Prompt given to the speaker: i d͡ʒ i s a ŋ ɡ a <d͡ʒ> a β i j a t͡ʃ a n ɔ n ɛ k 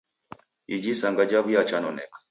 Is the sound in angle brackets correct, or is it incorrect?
correct